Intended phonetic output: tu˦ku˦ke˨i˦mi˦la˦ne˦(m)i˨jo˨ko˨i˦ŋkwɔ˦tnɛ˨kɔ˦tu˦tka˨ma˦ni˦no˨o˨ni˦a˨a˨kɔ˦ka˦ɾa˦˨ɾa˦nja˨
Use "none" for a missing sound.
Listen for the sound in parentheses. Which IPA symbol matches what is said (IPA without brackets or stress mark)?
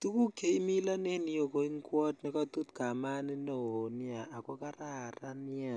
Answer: n